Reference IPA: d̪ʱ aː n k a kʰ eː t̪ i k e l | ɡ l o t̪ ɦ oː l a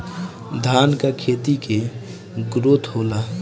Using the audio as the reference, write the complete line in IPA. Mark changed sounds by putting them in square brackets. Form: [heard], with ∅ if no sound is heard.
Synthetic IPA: d̪ʱ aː n k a kʰ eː t̪ i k e [∅] | ɡ [ɾ] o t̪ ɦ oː l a